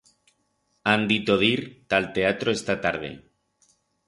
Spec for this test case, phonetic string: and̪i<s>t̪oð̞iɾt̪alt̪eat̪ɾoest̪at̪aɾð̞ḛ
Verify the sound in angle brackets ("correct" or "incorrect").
incorrect